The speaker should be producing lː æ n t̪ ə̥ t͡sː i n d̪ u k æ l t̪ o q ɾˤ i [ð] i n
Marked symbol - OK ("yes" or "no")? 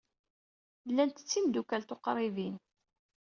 no